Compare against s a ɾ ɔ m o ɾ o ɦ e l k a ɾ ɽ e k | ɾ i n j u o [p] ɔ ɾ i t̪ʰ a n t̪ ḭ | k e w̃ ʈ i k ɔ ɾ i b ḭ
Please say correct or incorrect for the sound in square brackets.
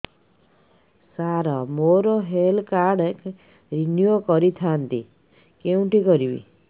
incorrect